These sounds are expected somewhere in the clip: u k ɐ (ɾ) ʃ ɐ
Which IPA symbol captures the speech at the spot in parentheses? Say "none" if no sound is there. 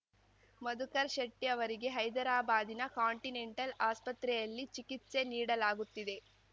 ɾ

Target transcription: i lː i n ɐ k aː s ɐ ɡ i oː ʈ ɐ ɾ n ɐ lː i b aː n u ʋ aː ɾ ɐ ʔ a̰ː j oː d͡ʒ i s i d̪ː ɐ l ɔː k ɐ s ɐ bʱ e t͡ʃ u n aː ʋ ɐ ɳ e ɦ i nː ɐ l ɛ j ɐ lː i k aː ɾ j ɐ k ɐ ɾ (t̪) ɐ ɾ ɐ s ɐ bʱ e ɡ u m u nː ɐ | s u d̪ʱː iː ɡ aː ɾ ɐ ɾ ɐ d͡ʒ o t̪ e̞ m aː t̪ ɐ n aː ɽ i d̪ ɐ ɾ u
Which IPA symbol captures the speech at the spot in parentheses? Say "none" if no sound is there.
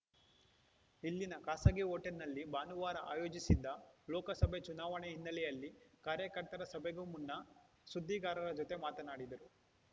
t̪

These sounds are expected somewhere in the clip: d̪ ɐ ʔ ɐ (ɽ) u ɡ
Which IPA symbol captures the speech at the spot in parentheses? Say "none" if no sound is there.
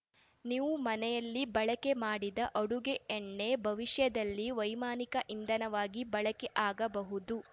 ɽ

